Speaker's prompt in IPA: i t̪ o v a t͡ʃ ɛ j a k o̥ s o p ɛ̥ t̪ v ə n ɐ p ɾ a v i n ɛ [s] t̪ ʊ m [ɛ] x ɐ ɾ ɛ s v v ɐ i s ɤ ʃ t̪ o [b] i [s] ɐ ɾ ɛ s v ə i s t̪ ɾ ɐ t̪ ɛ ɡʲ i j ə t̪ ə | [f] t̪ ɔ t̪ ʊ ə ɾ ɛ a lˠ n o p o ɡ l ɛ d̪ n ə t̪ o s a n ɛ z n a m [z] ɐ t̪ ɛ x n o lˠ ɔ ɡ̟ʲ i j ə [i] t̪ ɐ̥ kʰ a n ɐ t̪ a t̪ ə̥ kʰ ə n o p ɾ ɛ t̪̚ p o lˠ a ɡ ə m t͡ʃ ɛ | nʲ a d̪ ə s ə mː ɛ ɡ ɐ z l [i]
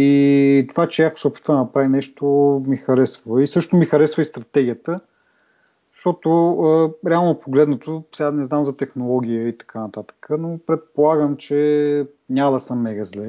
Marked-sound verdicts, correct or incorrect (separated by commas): incorrect, incorrect, incorrect, incorrect, incorrect, correct, correct, incorrect